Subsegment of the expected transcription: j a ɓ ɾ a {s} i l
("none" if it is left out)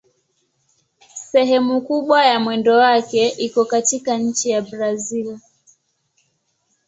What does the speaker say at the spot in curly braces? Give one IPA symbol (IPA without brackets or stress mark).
z